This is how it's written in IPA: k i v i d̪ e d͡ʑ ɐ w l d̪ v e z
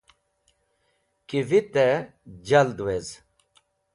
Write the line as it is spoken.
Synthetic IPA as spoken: k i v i t̪ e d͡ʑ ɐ l d̪ w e z